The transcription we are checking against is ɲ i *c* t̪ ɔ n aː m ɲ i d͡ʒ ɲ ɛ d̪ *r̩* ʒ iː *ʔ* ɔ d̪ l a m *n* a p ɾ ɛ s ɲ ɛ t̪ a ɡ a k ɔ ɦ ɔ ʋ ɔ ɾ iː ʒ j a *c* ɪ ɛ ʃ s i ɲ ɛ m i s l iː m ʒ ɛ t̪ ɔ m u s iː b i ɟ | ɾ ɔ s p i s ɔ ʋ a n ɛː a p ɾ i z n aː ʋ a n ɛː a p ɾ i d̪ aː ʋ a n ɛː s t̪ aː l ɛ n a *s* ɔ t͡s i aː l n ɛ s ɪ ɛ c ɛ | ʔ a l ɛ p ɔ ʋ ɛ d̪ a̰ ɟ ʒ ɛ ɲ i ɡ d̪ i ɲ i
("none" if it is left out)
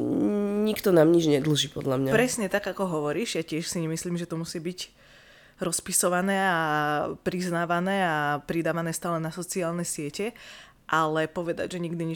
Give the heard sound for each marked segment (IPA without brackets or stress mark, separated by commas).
k, l̩, p, ɲ, c, s